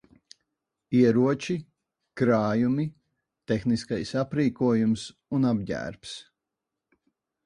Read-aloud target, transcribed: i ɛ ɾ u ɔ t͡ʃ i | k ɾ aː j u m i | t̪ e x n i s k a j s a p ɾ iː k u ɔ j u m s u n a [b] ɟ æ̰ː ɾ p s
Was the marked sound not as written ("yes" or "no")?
no